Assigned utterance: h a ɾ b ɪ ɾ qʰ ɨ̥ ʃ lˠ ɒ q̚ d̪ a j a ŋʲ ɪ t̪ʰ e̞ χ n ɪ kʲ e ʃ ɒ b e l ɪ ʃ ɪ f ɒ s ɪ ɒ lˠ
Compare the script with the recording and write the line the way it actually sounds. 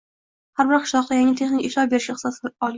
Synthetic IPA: h a ɾ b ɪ ɾ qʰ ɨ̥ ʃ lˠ ɒ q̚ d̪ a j a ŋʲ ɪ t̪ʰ e̞ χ n ɪ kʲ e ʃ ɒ b e ɾ ɪ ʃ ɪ s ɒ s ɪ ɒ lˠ

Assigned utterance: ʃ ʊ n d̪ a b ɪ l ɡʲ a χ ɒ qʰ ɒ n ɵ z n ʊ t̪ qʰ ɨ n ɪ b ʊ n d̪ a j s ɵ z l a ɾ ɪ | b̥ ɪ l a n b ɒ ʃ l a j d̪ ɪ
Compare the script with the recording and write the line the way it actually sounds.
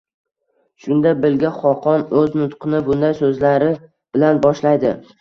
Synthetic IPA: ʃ ʊ n d̪ a b ɪ l ɡʲ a χ ɒ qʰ ɒ n ɵ z n ʊ t̪ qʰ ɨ n ɪ b ʊ n d̪ a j s ɵ z l a ɾ ɪ | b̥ ɪ l a n b ɒ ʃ l a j d̪ ɪ

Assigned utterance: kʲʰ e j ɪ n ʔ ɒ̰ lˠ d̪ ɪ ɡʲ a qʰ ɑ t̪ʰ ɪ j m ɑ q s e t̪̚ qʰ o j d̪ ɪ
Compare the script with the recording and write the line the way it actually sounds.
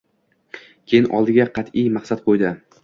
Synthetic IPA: kʲʰ e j ɪ n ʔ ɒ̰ lˠ d̪ ɪ ɡʲ a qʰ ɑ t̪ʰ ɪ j m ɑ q s a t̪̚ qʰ o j d̪ ɪ

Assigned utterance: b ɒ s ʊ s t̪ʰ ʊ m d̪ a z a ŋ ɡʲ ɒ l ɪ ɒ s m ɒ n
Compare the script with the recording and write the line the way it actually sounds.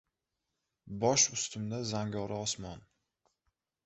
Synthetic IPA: b ɒ ʃ ʊ s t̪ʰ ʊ m d̪ a z a ŋ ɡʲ ɒ ɾ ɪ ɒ s m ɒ n

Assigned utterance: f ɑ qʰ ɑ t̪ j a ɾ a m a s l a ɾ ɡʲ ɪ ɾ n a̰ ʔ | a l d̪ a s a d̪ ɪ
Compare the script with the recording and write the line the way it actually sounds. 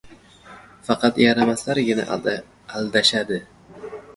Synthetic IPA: f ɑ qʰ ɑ t̪ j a ɾ a m a s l a ɾ ɡʲ ɪ n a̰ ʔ | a l d̪ a ʃ a d̪ ɪ

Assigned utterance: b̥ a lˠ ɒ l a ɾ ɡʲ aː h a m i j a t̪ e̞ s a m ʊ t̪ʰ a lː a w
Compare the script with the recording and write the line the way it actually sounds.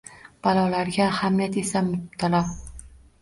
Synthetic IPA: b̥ a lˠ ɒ l a ɾ ɡʲ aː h a m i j a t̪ e̞ s a m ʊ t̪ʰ a l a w

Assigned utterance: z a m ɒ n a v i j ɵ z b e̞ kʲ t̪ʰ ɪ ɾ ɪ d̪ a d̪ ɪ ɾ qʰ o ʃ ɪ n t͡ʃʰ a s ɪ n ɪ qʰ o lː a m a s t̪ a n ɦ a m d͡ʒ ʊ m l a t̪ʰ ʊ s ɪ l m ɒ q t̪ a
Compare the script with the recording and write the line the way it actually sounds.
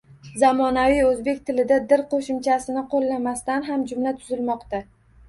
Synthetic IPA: z a m ɒ n a v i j ɵ z b e̞ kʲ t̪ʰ ɪ l ɪ d̪ a d̪ ɪ ɾ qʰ o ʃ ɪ m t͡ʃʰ a s ɪ n ɪ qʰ o lː a m a s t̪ a n ɦ a m d͡ʒ ʊ m l a t̪ʰ ʊ z ɪ l m ɒ q t̪ a

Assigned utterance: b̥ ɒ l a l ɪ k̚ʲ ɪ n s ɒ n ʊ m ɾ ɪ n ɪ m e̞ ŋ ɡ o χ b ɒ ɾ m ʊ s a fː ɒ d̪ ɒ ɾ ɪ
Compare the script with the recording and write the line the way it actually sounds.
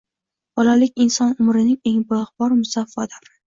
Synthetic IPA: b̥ ɒ l a l ɪ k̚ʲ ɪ n s ɒ n ʊ m ɾ ɪ n ɪ ŋ e̞ ŋ b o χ b ɒ ɾ m ʊ s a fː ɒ d̪ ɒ ɾ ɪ

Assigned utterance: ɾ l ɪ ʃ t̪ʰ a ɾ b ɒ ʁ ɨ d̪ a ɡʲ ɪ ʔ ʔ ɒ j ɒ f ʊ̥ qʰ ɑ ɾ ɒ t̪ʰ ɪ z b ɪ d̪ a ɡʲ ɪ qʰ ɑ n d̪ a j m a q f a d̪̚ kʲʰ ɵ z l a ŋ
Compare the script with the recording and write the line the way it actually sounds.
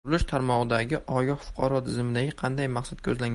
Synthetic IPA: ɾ l ɪ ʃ t̪ʰ a ɾ m ɒ ʁ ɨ d̪ a ɡʲ ɪ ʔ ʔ ɒ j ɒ f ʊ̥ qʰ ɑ ɾ ɒ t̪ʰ ɪ z m ɪ d̪ a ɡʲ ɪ qʰ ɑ n d̪ a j m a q s a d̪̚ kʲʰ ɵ z l a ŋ

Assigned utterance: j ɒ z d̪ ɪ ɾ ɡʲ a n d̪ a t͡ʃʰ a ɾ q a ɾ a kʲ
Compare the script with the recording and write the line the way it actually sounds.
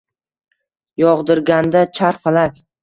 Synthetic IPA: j ɒ ʁ d̪ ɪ ɾ ɡʲ a n d̪ a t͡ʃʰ a ɾ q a l a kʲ

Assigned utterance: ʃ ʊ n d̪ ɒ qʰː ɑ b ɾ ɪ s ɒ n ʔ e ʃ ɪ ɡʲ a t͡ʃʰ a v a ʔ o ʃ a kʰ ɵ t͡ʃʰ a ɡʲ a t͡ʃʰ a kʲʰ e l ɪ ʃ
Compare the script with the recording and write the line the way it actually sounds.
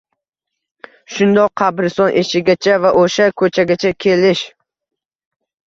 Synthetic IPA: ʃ ʊ n d̪ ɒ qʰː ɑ b ɾ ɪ s ɒ n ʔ e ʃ ɪ ɡʲ a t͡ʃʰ a v a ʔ o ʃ a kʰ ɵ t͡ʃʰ a ɡʲ a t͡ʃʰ a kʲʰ e l ɪ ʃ

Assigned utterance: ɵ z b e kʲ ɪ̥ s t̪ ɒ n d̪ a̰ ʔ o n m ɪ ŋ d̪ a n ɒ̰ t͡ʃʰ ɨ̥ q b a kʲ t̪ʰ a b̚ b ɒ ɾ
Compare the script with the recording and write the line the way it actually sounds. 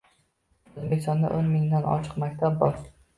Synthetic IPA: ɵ z b e kʲ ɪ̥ s t̪ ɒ n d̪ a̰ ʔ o n m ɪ ŋ d̪ a n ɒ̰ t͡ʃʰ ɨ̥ q m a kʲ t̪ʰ a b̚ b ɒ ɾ

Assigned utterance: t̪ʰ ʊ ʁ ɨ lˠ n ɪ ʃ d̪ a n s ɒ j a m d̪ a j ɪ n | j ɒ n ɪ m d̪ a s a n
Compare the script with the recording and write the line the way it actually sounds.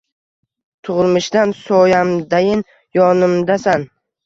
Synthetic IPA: t̪ʰ ʊ ʁ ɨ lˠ m ɪ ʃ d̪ a n s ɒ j a m d̪ a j ɪ n | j ɒ n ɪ m d̪ a s a n

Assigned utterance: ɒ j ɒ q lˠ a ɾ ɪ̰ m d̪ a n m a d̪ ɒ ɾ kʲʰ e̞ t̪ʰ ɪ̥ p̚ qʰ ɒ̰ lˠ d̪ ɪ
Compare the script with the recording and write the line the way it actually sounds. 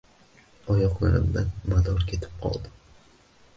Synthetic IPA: ɒ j ɒ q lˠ a ɾ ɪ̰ m d̪ a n m a d̪ ɒ ɾ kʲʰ e̞ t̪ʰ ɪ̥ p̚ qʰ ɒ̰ lˠ d̪ ɪ

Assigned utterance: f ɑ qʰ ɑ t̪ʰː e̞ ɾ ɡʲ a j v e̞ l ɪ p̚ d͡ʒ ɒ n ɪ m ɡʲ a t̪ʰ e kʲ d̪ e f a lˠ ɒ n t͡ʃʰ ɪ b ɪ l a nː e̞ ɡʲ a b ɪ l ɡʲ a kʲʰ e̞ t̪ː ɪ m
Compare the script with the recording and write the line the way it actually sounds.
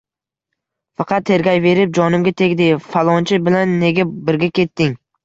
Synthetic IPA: f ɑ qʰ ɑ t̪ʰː e̞ ɾ ɡʲ a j v e̞ ɾ ɪ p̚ d͡ʒ ɒ n ɪ m ɡʲ a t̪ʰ e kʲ d̪ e f a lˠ ɒ n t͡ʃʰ ɪ b ɪ l a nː e̞ ɡʲ a b ɪ ɾ ɡʲ a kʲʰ e̞ t̪ː ɪ ŋ

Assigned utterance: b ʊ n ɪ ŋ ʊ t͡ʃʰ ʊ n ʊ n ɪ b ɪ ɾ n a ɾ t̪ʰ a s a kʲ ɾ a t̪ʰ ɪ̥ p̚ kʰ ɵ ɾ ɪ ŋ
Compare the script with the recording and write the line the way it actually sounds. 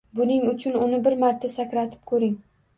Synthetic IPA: b ʊ n ɪ ŋ ʊ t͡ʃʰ ʊ n ʊ n ɪ b ɪ ɾ m a ɾ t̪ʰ a s a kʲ ɾ a t̪ʰ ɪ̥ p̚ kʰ ɵ ɾ ɪ ŋ

